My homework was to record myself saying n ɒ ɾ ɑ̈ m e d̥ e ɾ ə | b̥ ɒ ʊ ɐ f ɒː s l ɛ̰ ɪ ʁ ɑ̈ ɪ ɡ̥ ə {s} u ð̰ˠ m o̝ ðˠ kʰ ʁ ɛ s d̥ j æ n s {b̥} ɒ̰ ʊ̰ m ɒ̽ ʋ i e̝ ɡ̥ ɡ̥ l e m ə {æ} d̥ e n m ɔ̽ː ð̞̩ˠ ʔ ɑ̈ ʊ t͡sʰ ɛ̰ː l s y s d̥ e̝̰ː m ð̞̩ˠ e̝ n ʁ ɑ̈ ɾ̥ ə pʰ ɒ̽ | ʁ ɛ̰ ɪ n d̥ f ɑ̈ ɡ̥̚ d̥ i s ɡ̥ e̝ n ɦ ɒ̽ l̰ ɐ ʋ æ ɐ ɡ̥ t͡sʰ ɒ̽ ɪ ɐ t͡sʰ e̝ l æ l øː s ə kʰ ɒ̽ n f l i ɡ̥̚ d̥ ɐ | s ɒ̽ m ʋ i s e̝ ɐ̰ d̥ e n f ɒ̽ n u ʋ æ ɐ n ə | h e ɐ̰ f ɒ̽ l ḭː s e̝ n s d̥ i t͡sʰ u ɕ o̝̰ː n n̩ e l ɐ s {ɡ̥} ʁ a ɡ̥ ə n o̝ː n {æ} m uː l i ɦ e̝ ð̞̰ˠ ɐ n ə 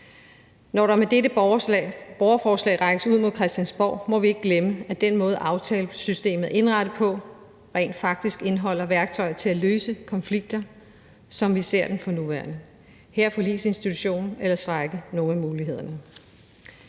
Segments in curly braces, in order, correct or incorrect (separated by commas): correct, correct, correct, incorrect, correct